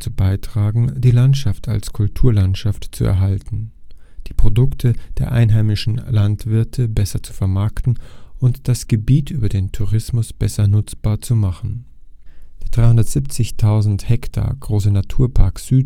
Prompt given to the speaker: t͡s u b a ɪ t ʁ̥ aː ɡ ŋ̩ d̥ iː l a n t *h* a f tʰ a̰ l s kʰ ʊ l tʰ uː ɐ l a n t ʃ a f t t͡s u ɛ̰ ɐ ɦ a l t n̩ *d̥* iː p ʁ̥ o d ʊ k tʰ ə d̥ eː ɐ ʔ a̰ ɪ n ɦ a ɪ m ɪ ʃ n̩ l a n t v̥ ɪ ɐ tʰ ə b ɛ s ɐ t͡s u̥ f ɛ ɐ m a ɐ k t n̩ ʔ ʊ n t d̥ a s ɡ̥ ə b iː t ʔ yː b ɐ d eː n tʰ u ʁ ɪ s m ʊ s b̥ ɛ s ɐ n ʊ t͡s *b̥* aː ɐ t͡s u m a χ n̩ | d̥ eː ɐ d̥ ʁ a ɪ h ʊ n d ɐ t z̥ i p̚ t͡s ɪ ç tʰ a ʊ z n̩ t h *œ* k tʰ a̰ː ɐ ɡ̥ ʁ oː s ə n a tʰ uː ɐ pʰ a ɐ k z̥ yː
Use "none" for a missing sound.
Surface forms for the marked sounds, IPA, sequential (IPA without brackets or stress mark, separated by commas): ʃ, d̥, b̥, ɛ